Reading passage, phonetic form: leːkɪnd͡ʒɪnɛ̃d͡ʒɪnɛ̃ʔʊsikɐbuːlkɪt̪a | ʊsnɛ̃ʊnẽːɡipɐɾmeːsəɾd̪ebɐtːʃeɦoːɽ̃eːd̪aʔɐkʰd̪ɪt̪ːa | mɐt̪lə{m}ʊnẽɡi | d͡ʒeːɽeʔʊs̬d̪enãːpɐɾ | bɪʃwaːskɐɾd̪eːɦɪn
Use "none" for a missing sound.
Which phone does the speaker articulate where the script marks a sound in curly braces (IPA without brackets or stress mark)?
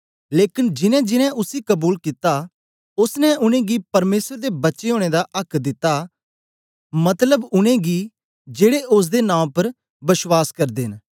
b